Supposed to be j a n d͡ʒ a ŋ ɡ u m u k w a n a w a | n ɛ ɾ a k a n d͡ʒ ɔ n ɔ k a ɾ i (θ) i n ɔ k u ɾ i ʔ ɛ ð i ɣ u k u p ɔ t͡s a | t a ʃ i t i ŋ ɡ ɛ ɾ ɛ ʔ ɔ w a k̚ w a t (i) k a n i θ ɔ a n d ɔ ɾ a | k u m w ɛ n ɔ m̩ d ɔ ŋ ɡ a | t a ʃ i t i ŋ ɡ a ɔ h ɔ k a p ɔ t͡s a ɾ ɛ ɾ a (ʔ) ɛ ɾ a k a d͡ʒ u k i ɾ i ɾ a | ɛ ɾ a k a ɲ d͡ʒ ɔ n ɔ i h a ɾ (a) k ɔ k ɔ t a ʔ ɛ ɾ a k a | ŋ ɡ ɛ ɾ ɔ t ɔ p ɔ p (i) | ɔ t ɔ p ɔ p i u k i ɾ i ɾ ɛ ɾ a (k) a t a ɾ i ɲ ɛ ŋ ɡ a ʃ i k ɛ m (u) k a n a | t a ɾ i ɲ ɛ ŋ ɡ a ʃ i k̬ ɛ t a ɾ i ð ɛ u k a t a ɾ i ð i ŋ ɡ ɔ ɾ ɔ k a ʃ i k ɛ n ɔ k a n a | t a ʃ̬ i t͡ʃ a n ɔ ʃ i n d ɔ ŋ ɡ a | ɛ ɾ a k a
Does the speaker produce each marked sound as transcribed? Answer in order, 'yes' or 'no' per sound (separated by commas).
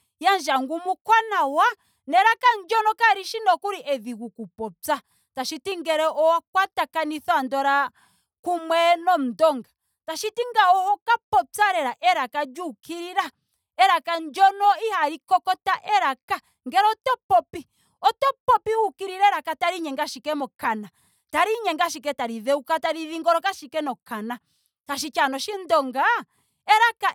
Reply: no, no, yes, no, yes, yes, no